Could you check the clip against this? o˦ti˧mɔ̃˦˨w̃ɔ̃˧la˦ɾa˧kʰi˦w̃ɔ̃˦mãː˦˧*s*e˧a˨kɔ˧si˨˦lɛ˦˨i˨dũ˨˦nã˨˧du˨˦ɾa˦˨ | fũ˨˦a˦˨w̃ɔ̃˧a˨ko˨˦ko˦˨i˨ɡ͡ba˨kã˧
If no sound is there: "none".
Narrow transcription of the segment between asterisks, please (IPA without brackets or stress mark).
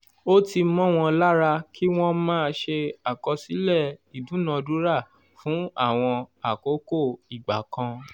ʃ